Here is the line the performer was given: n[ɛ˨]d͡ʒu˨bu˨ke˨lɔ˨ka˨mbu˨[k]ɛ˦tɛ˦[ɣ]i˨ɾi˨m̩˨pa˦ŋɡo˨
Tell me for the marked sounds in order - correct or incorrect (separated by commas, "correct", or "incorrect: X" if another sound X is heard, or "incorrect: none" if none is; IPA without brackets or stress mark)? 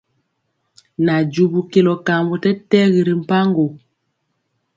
incorrect: a˨, incorrect: t, correct